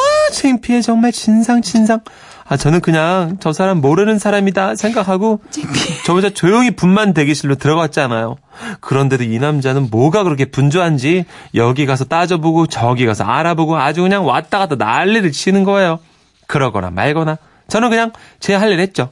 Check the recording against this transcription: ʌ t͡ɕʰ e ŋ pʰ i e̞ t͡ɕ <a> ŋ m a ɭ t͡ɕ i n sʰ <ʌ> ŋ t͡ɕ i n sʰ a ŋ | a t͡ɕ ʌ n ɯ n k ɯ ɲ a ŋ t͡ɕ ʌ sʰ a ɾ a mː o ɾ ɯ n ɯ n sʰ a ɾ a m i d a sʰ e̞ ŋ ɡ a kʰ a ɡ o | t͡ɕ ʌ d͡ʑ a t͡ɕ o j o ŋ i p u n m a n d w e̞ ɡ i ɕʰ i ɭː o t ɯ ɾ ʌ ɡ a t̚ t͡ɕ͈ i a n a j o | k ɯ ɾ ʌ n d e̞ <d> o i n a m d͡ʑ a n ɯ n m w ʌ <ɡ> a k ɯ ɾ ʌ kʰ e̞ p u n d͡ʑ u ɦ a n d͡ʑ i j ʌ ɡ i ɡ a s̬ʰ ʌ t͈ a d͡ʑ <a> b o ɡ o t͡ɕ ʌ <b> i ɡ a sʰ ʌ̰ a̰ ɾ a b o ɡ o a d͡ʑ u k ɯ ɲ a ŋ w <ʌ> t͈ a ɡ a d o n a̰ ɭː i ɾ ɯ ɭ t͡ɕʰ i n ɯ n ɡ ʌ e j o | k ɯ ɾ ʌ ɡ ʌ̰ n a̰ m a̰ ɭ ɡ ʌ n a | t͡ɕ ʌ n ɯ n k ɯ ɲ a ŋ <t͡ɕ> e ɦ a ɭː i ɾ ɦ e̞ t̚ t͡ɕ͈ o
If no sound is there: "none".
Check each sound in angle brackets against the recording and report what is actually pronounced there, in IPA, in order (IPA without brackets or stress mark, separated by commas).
ʌ, a, d, ɡ, ʌ, ɡ, a, t͡ɕ